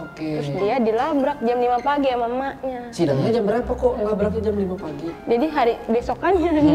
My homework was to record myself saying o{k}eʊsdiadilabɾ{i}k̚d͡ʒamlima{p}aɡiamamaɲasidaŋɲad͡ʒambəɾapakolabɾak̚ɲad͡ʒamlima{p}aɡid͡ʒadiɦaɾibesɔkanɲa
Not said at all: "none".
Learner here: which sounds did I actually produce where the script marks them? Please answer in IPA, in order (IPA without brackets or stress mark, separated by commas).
k, a, p, p